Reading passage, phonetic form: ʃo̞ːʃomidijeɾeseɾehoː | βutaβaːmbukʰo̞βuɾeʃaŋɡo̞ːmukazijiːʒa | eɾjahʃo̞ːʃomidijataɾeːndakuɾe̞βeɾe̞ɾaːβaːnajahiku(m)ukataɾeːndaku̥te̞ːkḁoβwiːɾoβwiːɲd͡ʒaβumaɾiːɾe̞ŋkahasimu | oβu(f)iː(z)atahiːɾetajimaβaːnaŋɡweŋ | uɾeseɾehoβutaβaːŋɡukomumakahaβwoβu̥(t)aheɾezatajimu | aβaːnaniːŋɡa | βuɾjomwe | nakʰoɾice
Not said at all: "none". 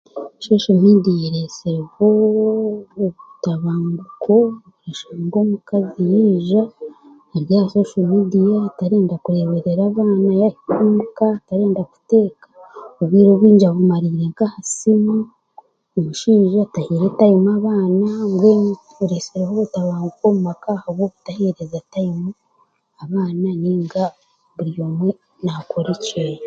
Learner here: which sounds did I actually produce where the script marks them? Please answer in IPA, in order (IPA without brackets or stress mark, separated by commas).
m, ʃ, ʒ, t